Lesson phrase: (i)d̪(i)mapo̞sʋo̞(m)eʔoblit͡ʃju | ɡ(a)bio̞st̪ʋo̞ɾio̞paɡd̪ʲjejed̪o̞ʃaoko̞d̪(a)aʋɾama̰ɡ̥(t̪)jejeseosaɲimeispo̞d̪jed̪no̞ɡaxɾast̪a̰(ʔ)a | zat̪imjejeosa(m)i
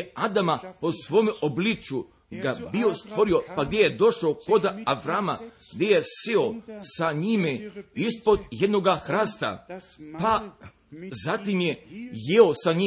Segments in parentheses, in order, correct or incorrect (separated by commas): incorrect, incorrect, correct, correct, correct, incorrect, incorrect, incorrect